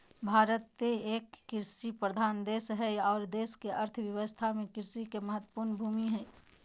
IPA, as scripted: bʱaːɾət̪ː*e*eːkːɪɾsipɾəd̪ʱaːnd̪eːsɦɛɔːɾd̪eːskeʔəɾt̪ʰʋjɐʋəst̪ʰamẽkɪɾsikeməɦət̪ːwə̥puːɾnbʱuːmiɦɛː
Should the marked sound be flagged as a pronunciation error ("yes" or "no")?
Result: no